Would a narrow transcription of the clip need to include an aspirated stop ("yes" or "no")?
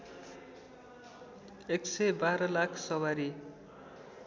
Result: yes